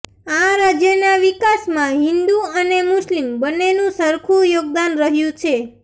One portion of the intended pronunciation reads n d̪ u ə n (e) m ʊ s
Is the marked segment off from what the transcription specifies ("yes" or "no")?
no